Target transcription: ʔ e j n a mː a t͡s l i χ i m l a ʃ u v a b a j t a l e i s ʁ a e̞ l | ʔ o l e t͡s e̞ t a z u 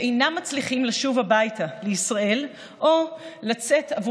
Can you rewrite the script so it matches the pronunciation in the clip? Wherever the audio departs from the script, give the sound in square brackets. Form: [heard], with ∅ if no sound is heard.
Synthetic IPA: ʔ e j n a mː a t͡s l i χ i m l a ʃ u v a b a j t a l e i s ʁ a e̞ l | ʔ o l [a] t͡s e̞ t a [v] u